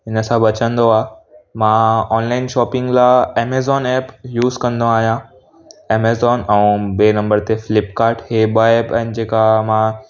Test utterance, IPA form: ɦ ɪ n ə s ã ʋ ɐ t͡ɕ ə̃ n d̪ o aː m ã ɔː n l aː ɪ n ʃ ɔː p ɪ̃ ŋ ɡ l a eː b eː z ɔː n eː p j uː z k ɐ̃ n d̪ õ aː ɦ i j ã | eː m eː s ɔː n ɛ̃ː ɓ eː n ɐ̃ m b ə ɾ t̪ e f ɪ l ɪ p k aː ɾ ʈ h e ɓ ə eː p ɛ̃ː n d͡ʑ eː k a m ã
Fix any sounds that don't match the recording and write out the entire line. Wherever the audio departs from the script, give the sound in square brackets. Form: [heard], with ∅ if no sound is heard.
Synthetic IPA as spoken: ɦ ɪ n ə s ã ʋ ɐ t͡ɕ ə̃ n d̪ o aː m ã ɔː n l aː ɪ n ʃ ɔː p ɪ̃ ŋ ɡ l a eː [m] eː z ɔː n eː p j uː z k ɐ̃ n d̪ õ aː ɦ i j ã | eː m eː [z] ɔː n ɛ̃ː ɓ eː n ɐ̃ m b ə ɾ t̪ e f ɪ l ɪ p k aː ɾ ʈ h e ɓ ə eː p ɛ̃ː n d͡ʑ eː k a m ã